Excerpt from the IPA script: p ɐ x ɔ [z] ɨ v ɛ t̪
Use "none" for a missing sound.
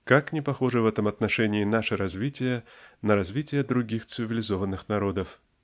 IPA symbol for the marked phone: ʐ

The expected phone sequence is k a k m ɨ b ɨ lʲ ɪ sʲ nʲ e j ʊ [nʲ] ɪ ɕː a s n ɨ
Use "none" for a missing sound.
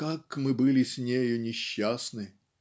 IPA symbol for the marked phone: nʲ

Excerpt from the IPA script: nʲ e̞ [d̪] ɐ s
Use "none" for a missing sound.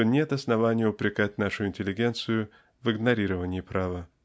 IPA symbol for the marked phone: t̪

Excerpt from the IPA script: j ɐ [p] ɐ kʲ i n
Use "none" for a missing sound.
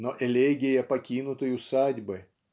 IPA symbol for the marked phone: p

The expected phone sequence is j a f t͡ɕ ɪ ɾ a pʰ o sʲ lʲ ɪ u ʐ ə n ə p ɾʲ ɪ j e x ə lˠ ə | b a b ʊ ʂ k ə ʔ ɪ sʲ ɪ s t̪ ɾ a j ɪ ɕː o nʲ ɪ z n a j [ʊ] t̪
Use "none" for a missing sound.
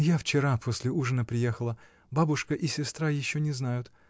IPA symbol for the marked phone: ʊ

